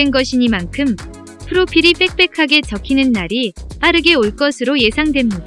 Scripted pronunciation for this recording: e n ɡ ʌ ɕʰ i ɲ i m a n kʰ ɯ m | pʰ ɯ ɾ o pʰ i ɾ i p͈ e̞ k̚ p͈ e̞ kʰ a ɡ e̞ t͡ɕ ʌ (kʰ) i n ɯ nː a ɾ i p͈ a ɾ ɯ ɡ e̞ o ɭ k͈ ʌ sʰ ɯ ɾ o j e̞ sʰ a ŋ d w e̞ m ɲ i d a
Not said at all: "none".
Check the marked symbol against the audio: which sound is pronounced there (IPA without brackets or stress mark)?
kʰ